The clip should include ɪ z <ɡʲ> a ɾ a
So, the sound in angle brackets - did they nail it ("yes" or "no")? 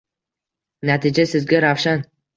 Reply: yes